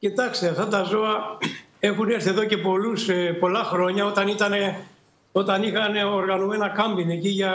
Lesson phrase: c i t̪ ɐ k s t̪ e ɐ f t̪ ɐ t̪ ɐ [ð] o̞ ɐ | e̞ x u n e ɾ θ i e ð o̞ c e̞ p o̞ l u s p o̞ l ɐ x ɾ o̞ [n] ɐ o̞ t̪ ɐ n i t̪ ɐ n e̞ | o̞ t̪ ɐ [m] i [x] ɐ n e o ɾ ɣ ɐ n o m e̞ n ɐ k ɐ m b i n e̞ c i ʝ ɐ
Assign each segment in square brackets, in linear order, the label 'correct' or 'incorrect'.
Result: incorrect: z, incorrect: ɲ, incorrect: n, correct

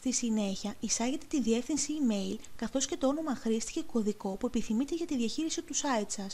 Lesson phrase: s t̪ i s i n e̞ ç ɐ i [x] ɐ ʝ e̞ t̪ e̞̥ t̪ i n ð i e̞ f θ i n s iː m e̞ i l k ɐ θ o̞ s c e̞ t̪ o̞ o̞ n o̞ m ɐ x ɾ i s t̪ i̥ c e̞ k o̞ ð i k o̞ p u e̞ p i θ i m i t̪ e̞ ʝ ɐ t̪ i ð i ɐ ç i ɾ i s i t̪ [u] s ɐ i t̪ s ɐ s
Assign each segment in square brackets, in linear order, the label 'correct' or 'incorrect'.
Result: incorrect: s, correct

